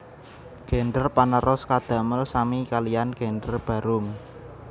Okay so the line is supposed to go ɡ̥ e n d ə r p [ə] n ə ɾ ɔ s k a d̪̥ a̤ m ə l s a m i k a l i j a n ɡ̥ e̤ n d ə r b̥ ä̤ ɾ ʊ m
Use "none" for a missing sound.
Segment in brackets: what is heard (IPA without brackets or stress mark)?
a